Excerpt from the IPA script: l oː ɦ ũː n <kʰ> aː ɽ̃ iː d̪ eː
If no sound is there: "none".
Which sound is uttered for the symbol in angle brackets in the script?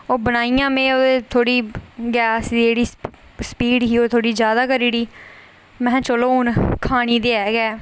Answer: kʰ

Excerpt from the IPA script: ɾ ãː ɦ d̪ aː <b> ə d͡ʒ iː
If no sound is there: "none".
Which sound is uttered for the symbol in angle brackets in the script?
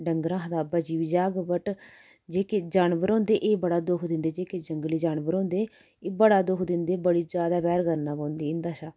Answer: b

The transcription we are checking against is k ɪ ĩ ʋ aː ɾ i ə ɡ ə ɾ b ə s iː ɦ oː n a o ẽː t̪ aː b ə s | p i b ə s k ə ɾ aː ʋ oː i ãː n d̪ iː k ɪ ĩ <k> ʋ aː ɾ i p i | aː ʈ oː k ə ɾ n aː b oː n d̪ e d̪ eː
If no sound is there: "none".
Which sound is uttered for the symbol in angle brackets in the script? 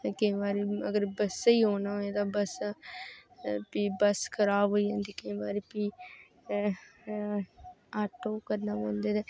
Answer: none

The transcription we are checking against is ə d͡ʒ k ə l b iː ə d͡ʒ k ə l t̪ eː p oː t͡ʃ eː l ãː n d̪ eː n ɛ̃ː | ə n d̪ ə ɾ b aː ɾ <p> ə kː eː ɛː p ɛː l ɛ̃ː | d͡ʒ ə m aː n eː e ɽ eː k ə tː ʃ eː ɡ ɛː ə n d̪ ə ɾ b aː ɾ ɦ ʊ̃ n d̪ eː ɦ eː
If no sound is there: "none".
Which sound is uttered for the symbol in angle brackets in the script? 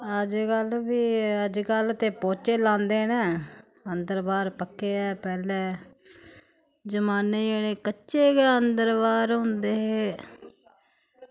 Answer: p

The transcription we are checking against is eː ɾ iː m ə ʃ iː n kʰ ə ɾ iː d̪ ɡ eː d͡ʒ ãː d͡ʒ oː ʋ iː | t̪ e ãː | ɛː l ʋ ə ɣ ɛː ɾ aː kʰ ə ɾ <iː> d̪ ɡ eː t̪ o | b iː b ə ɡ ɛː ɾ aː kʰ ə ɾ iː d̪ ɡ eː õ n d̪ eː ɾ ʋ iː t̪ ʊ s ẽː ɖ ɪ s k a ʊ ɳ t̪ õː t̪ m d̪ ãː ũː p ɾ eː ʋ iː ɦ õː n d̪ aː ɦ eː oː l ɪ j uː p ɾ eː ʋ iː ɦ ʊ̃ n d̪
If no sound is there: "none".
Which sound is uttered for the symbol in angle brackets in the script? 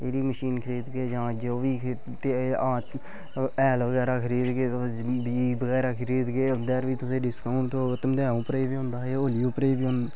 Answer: iː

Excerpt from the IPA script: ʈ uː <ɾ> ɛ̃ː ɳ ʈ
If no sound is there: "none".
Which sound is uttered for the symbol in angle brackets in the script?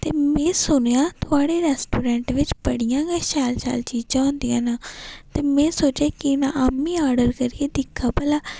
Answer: ɾ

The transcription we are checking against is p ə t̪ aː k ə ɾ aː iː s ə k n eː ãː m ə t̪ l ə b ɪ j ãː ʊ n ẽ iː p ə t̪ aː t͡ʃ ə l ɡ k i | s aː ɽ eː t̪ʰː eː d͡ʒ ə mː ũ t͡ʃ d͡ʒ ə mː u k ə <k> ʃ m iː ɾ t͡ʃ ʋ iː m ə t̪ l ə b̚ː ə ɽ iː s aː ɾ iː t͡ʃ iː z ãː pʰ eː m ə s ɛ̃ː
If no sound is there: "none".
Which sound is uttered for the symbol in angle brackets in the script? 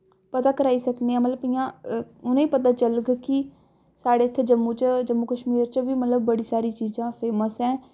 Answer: none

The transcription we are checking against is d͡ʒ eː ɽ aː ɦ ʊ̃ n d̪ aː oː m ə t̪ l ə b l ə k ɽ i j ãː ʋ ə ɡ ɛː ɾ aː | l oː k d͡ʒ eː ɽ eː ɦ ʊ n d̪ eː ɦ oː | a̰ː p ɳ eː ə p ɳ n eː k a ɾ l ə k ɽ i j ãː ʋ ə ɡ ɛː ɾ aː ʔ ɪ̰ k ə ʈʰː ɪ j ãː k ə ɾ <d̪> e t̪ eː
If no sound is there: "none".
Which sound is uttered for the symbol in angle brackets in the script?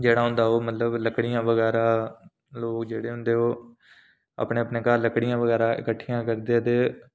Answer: d̪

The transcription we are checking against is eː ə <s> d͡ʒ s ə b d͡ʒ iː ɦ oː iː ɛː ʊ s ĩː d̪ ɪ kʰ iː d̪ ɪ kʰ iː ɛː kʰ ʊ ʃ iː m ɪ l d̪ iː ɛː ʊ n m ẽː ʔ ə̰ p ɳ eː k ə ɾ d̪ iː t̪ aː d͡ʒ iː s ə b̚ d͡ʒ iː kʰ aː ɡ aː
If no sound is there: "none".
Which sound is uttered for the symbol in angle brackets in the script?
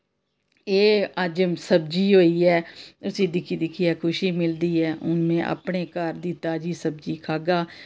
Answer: none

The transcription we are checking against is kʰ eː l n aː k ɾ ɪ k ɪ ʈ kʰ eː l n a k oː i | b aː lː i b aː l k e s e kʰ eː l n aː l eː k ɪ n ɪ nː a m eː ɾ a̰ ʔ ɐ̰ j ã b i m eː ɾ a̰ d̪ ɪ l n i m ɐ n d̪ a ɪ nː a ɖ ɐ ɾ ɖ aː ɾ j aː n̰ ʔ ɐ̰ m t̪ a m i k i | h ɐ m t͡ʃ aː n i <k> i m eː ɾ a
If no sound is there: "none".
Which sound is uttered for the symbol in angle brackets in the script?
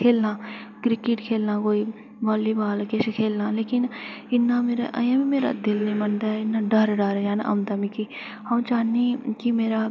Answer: k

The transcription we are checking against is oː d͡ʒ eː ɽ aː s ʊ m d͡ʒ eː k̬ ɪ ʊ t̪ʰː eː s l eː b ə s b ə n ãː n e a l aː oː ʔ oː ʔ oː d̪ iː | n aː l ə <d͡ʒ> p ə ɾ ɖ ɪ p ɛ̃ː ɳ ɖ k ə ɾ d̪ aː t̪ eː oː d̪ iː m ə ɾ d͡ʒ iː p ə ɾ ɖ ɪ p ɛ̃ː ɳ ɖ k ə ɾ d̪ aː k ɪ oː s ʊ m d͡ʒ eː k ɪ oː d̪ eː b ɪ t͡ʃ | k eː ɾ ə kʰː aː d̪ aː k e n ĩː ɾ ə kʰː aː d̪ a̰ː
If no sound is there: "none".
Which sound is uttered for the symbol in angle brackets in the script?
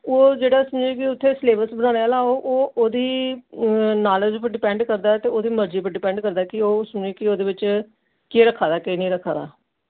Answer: d͡ʒ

